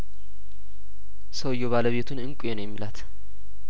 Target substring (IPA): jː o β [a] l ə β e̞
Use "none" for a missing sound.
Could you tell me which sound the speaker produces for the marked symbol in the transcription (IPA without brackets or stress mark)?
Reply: a